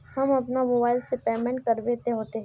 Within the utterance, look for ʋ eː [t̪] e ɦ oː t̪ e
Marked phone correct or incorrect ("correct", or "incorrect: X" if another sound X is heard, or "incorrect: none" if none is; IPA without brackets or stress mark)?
correct